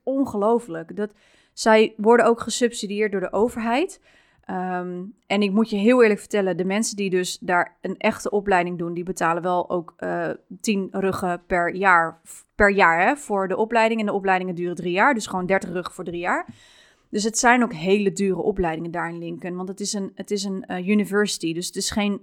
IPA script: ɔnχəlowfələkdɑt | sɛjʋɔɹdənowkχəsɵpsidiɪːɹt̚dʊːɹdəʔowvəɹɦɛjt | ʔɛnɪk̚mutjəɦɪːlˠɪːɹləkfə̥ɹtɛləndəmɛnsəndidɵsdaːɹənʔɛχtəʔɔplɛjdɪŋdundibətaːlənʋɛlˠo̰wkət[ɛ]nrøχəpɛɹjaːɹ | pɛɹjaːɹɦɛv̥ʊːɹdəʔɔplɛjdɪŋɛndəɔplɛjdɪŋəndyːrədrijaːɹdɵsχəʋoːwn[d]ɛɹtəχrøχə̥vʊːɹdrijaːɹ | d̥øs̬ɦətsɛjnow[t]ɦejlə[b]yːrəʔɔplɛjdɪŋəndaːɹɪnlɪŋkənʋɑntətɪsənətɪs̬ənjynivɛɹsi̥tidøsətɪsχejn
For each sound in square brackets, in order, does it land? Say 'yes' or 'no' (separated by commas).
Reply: no, yes, no, no